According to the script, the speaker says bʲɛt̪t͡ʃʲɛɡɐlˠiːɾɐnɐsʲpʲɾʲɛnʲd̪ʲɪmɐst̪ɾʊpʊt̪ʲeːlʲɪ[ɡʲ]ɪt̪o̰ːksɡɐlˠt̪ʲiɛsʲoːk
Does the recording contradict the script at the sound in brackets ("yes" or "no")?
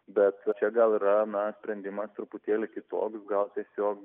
yes